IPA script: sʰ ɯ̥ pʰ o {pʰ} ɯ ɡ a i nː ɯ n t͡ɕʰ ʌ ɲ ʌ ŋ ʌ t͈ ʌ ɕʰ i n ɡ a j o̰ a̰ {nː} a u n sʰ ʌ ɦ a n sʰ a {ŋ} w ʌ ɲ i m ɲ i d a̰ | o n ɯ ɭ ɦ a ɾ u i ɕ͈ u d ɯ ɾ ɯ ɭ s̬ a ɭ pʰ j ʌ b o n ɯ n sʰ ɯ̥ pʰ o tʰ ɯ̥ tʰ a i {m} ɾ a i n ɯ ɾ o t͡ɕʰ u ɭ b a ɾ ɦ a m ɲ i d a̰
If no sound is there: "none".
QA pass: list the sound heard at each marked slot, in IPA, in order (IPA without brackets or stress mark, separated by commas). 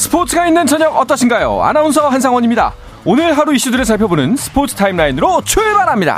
tʰ, n, ŋ, m